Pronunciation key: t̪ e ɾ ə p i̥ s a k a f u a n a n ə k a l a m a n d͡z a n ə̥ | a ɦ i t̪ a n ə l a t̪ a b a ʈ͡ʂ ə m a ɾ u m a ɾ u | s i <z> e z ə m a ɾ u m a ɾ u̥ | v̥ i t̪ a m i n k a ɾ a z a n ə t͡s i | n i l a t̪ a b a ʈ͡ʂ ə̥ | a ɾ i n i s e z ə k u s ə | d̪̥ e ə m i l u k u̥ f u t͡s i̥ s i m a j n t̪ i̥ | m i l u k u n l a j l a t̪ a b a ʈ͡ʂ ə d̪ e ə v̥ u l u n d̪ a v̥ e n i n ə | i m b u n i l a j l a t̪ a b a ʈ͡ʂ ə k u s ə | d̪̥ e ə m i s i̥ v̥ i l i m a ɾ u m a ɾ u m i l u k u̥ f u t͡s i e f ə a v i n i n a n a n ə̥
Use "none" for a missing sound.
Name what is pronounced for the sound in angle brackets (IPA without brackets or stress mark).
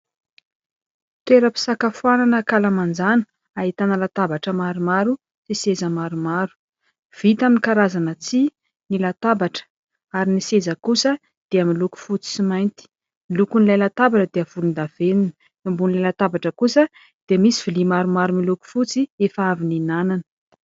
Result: s